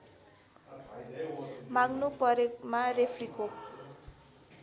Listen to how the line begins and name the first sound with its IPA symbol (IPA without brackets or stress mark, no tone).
m